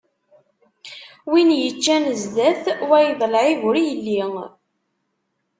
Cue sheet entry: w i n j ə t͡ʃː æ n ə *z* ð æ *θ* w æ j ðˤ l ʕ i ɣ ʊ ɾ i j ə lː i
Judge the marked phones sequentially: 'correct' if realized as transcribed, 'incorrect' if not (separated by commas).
correct, correct